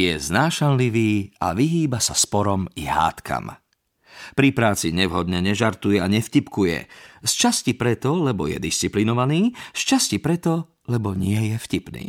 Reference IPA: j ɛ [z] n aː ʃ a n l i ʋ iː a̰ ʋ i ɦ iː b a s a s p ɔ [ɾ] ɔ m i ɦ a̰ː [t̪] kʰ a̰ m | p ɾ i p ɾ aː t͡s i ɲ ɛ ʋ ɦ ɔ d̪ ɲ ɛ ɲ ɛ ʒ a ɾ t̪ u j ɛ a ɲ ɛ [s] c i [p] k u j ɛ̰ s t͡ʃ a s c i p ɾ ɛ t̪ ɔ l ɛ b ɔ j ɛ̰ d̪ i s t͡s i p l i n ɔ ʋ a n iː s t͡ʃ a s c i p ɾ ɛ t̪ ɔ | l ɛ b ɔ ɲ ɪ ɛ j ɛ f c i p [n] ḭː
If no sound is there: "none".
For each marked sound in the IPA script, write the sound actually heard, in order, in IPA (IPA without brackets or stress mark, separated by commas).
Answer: z, ɾ, t̪, f, p, n